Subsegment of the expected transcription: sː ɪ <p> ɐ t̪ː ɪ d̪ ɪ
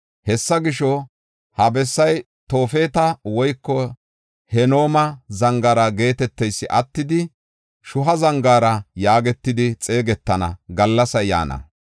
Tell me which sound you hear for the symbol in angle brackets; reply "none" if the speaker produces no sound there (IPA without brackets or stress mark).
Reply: ʔ